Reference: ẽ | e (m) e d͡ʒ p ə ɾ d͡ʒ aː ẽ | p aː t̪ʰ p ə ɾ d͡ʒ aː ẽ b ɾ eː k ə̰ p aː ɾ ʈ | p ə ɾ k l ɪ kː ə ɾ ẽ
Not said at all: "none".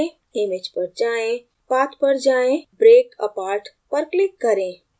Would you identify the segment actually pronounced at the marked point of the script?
m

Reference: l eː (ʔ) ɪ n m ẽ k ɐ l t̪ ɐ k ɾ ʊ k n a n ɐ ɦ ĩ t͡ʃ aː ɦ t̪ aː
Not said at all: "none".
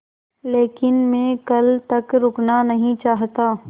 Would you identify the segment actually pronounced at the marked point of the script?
k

